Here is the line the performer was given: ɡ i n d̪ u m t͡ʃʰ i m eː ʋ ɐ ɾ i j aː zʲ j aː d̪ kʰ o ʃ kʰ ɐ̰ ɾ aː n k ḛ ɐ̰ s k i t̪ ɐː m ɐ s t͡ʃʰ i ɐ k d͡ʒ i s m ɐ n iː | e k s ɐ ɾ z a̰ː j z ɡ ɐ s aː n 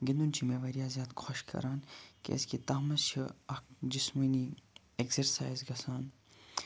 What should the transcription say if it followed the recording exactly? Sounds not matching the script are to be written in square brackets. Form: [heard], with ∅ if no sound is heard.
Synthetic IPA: ɡ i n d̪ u [n] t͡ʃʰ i m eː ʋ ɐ ɾ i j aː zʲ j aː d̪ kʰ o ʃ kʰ ɐ̰ ɾ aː n k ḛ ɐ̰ s k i t̪ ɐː m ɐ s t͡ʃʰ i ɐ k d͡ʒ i s m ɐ n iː | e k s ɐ ɾ [s] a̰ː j z ɡ ɐ s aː n